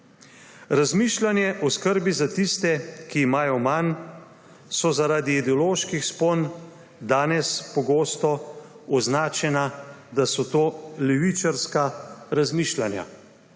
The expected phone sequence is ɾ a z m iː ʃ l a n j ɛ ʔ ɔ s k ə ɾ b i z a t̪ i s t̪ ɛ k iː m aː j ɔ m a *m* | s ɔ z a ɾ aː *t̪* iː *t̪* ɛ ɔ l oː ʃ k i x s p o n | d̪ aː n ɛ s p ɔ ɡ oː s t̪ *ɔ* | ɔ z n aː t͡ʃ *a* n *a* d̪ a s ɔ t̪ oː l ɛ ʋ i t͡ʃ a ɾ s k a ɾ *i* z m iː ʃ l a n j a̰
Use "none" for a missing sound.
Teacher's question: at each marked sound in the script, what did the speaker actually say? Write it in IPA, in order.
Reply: n, d̪, d̪, ɔ, ɛ, a, a

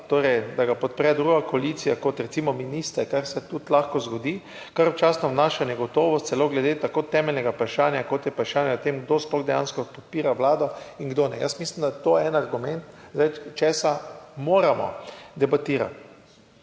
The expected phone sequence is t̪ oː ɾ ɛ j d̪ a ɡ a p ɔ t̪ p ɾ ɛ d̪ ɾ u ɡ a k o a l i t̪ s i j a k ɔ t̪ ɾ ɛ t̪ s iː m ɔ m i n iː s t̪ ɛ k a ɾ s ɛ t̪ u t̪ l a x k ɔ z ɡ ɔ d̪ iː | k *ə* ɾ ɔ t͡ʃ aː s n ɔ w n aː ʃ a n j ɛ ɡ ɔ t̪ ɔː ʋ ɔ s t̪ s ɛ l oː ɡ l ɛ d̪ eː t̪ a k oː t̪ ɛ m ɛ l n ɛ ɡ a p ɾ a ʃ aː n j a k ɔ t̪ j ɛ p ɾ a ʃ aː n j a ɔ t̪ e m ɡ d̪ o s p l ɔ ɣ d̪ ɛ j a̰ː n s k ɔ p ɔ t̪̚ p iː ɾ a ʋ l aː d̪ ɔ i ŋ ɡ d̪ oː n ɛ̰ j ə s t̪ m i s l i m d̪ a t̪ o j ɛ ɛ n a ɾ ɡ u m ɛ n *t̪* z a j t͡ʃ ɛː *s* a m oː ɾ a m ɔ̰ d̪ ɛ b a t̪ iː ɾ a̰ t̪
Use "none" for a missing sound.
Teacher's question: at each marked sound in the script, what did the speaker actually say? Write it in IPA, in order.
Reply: a, t̪, s

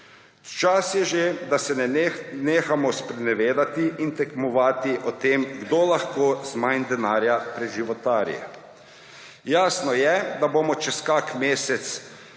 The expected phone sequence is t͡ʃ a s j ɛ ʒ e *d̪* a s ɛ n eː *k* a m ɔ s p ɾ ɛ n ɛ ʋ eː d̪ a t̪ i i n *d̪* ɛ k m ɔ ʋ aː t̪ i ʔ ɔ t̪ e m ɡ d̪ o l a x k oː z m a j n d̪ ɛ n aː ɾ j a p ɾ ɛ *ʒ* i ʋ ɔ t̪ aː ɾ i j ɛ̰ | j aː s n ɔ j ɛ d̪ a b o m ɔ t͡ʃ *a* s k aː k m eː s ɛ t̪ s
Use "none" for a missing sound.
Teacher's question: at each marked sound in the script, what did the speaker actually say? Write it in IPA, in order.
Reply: d̪, x, t̪, ʒ, ɛ

